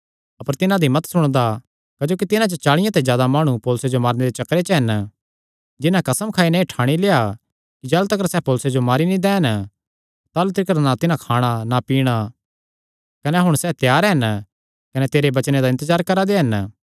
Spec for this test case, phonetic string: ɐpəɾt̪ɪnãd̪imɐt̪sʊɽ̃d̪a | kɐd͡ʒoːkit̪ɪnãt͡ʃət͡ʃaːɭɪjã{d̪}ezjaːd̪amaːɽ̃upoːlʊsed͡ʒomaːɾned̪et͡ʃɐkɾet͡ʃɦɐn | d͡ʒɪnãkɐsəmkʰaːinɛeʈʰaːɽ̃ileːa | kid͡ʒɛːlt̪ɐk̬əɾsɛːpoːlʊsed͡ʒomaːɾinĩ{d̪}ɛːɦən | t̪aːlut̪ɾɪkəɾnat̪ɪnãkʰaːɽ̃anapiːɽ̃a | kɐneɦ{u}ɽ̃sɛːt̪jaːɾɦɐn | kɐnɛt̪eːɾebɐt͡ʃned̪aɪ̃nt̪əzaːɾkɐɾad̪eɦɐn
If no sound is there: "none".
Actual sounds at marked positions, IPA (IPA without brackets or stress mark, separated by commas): t̪, d̪, ʊ